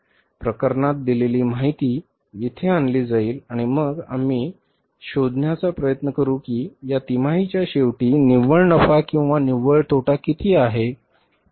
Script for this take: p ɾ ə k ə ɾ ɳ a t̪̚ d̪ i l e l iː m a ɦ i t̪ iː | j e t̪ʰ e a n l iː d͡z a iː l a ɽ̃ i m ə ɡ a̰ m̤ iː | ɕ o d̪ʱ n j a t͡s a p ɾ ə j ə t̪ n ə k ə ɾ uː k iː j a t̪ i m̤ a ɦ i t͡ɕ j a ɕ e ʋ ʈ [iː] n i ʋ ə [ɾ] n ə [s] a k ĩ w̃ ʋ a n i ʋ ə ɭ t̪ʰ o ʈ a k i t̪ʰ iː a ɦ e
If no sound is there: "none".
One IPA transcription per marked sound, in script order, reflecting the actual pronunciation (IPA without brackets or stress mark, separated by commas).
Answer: iː, ɭ, f